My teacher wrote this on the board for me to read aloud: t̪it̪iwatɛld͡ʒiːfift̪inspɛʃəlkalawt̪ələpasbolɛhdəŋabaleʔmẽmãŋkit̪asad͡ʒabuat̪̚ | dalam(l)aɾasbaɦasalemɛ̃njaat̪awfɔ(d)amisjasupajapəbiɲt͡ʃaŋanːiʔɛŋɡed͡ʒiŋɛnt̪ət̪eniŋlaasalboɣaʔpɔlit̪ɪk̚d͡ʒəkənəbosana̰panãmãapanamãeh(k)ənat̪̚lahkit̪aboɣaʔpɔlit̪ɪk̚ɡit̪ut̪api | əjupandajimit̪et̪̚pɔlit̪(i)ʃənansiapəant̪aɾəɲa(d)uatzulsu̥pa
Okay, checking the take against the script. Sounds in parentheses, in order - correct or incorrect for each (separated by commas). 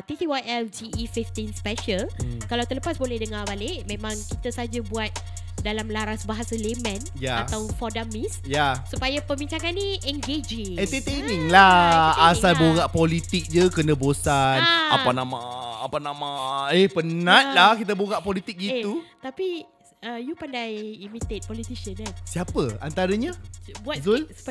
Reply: correct, correct, incorrect, correct, incorrect